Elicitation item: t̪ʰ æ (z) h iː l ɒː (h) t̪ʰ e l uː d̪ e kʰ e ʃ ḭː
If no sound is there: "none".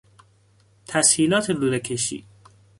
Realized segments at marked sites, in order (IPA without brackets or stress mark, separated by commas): s, none